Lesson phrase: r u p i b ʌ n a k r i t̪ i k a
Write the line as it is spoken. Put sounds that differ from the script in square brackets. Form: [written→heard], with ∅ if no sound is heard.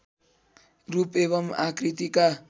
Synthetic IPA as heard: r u p [i→e] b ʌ [n→m] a k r i t̪ i k a